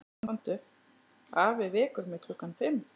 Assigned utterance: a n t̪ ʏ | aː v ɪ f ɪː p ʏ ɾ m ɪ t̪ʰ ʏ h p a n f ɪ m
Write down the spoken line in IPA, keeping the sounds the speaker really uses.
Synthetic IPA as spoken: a n t̪ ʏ | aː v ɪ v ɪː k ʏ ɾ m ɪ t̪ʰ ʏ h k a n f ɪ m